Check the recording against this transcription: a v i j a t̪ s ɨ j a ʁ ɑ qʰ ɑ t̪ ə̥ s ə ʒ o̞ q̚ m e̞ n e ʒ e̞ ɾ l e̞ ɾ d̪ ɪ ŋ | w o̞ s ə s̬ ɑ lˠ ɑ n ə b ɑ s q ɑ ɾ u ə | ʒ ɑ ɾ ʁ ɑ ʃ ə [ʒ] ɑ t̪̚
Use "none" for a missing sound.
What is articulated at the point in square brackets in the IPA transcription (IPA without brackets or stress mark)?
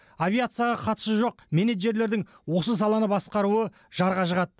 ʁ